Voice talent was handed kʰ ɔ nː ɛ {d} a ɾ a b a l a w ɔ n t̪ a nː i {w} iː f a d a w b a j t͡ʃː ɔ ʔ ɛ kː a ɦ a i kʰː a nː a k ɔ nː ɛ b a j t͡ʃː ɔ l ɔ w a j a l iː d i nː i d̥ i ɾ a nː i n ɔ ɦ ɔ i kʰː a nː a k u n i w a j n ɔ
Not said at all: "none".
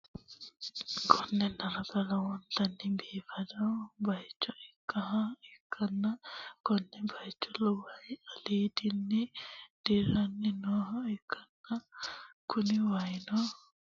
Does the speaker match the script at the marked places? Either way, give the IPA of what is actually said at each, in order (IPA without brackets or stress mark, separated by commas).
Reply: n, b